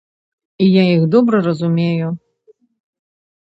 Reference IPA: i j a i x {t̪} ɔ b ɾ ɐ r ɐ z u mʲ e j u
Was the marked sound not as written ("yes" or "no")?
yes